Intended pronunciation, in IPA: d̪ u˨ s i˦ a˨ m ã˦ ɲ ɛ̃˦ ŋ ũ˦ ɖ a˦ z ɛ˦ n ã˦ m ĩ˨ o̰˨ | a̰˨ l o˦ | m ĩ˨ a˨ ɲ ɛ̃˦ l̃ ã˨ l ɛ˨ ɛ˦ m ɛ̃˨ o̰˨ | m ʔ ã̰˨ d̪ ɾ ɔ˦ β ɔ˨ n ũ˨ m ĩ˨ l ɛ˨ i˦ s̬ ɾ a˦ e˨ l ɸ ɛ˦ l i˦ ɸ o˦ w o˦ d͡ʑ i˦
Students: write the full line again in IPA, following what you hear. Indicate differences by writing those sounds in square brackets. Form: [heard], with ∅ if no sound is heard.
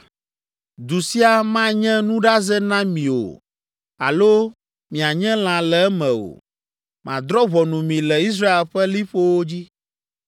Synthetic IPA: d̪ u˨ s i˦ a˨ m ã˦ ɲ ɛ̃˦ [n] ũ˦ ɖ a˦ z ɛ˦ n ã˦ m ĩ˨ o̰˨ | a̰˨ l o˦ | m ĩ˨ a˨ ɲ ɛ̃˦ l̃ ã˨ l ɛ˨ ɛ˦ m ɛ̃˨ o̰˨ | m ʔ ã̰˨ d̪ ɾ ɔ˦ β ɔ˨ n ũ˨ m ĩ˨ l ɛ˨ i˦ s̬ ɾ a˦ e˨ l ɸ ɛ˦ l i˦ ɸ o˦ w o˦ d͡ʑ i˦

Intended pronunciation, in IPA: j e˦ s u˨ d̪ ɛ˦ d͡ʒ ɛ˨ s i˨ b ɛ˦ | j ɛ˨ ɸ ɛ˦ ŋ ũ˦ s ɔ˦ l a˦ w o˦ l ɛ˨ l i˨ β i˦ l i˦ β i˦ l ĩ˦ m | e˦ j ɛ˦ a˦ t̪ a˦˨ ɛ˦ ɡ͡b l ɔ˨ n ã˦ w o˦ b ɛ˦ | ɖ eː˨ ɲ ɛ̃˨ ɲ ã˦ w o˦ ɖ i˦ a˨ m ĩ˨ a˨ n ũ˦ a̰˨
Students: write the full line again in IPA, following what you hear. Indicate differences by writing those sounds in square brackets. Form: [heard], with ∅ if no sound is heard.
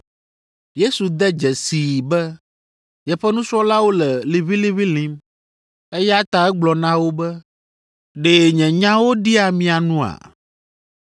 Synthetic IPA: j e˦ s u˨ d̪ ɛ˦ d͡ʒ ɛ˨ s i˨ b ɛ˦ | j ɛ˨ ɸ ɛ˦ [n] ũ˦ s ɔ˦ l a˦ w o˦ l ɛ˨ l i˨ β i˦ l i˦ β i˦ l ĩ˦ m | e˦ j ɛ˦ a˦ t̪ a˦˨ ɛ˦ ɡ͡b l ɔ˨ n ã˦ w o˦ b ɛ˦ | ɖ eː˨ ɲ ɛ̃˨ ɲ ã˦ w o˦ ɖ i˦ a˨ m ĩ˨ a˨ n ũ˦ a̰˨

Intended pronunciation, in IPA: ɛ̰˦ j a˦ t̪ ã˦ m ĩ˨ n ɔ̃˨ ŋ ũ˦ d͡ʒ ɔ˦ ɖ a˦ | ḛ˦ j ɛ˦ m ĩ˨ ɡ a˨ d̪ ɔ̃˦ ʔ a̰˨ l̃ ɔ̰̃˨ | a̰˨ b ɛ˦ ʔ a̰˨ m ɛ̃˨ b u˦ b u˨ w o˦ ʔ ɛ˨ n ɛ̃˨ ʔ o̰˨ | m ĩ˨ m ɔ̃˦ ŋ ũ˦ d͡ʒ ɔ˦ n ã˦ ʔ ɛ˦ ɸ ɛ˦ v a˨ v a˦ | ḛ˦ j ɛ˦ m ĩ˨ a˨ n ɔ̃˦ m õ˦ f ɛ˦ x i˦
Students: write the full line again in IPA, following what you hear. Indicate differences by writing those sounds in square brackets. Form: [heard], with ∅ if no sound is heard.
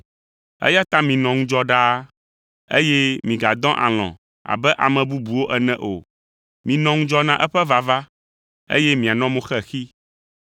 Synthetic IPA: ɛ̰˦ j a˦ t̪ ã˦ m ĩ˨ n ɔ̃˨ ŋ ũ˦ d͡ʒ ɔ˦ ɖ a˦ | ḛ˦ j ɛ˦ m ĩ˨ ɡ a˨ d̪ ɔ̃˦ ʔ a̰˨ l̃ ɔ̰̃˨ | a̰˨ b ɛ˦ ʔ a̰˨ m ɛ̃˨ b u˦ b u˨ w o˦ ʔ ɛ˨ n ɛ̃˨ ʔ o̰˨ | m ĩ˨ [n] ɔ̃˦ ŋ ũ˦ d͡ʒ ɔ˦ n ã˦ ʔ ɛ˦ ɸ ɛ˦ v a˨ v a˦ | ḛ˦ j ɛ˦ m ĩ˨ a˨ n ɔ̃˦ m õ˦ [x] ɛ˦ x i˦

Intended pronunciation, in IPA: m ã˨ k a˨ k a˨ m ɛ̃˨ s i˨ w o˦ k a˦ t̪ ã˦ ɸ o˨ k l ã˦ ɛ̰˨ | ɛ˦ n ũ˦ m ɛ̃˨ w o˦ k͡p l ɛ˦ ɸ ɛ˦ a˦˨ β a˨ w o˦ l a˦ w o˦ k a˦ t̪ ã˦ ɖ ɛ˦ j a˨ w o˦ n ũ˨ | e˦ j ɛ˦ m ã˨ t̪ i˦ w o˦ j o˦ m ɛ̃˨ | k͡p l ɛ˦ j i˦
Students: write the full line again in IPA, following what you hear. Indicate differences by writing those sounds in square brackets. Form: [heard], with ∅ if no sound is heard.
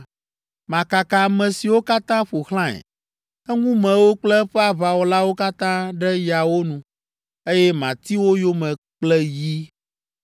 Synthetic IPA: m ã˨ k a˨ k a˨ m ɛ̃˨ s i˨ w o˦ k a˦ t̪ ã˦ ɸ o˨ [x] l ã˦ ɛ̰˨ | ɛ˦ [ŋ] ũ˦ m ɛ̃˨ w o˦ k͡p l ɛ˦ ɸ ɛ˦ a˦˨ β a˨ w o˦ l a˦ w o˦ k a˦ t̪ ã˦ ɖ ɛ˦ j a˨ w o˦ n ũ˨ | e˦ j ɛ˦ m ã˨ t̪ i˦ w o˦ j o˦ m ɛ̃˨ | k͡p l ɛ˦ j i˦

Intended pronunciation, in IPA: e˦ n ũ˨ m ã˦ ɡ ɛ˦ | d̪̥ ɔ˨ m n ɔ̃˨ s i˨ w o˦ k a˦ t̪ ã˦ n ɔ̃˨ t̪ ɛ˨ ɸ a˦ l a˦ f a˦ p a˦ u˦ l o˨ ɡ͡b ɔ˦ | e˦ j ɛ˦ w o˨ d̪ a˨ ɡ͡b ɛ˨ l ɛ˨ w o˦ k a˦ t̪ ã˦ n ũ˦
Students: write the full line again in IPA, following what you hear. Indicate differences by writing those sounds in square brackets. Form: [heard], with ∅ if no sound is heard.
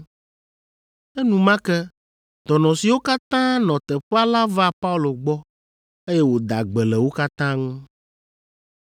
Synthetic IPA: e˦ n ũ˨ m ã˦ [k] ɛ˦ | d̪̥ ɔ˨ [∅] n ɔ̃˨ s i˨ w o˦ k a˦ t̪ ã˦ n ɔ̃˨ t̪ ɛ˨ ɸ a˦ l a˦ [v] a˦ p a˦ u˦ l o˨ ɡ͡b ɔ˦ | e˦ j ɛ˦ w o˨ d̪ a˨ ɡ͡b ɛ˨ l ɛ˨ w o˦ k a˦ t̪ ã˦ [ŋ] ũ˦

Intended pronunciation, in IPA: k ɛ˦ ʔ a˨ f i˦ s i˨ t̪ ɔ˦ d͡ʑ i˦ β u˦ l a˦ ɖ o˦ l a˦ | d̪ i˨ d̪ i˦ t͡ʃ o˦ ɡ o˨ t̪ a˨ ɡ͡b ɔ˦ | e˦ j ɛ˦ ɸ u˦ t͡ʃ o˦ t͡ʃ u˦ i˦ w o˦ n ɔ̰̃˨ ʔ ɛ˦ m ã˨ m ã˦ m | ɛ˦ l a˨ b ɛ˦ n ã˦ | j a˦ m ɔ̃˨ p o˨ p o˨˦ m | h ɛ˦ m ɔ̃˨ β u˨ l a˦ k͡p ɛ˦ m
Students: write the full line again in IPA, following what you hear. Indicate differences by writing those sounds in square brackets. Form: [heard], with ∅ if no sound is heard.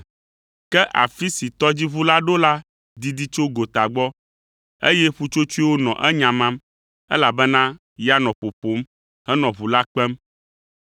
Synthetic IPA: k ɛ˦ ʔ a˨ f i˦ s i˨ t̪ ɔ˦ d͡ʑ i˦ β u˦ l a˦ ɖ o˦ l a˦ | d̪ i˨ d̪ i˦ t͡ʃ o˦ ɡ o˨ t̪ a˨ ɡ͡b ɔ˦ | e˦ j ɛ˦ ɸ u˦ t͡ʃ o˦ t͡ʃ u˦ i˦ w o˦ n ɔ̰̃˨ ʔ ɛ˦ [ɲ] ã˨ m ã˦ m | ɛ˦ l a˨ b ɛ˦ n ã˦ | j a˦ [n] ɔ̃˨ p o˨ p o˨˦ m | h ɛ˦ [n] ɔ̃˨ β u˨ l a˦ k͡p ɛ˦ m

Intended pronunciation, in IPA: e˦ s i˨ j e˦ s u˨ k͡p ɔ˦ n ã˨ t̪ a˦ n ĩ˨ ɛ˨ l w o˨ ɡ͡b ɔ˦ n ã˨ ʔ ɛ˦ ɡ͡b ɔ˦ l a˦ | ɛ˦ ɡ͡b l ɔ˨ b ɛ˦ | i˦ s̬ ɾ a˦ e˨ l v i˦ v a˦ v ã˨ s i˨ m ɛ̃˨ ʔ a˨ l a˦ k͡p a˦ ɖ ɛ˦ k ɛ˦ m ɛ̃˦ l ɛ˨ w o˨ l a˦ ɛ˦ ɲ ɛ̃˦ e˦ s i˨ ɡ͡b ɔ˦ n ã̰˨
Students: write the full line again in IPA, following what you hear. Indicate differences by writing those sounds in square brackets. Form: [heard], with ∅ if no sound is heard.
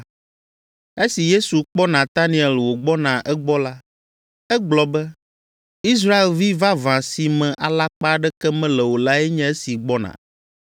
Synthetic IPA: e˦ s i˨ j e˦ s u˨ k͡p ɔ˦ n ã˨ t̪ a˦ n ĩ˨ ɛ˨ l w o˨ ɡ͡b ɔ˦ n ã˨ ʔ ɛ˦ ɡ͡b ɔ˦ l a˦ | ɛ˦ ɡ͡b l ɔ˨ b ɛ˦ | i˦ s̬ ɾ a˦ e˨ l v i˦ v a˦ v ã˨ s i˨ m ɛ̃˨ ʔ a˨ l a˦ k͡p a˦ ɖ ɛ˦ k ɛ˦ m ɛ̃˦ l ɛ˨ w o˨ l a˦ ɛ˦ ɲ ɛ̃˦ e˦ s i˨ ɡ͡b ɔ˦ n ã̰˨

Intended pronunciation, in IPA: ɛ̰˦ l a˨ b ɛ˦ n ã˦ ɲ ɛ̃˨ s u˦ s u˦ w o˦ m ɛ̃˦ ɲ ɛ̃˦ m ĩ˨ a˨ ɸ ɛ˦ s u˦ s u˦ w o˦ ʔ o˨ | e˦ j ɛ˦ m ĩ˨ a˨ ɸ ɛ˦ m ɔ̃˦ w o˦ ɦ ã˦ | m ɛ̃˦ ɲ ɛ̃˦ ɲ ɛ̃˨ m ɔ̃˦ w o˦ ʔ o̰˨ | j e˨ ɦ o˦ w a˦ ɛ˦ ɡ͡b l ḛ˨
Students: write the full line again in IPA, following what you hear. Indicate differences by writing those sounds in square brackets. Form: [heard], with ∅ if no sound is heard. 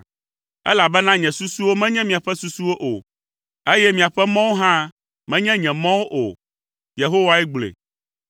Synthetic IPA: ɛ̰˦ l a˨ b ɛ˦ n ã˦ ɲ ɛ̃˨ s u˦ s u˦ w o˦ m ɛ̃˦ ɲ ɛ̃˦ m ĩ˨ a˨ ɸ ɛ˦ s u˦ s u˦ w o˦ ʔ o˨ | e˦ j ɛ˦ m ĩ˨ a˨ ɸ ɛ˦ m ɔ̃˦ w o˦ ɦ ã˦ | m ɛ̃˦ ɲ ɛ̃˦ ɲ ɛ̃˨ m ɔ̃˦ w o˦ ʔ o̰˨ | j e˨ ɦ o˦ w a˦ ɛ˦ ɡ͡b l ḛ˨

